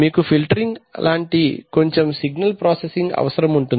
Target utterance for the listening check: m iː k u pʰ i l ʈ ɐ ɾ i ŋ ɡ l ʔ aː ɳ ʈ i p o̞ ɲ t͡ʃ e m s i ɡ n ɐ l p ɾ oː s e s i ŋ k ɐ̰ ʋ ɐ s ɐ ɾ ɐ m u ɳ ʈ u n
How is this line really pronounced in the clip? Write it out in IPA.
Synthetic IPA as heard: m iː k u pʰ i l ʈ ɐ ɾ i ŋ ɡ l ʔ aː ɳ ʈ i k o̞ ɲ t͡ʃ e m s i ɡ n ɐ l p ɾ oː s e s i ŋ ɡ ɐ̰ ʋ ɐ s ɐ ɾ ɐ m u ɳ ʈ u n